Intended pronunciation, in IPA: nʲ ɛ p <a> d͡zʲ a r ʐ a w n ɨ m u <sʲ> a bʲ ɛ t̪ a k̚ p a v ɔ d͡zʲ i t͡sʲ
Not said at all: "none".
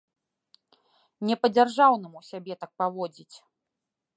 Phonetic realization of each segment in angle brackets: ɐ, sʲ

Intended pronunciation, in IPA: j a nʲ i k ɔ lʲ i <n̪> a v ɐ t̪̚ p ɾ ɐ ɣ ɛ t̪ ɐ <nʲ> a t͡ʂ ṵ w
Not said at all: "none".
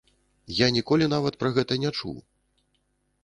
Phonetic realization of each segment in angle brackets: n̪, nʲ

